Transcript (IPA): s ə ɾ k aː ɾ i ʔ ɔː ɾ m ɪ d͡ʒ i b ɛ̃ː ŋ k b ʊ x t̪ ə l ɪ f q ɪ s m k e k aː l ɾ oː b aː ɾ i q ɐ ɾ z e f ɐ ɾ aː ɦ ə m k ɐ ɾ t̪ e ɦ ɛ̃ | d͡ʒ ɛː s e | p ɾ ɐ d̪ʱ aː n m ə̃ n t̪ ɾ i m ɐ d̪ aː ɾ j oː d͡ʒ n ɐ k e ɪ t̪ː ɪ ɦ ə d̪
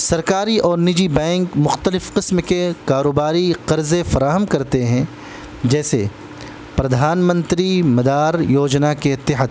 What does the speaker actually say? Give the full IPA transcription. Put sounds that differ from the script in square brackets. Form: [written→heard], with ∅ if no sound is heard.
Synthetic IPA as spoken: s [ə→ɐ] ɾ k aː ɾ i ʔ ɔː ɾ [m→n] ɪ d͡ʒ i b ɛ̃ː ŋ k [b→m] ʊ x t̪ ə l ɪ f q ɪ s m k e k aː [l→∅] ɾ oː b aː ɾ i q ɐ ɾ z e f ɐ ɾ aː ɦ ə m k ɐ ɾ t̪ e ɦ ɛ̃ | d͡ʒ ɛː s e | p ɾ ɐ d̪ʱ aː n m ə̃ n t̪ ɾ i m ɐ d̪ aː ɾ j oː d͡ʒ n [ɐ→a] k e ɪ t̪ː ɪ ɦ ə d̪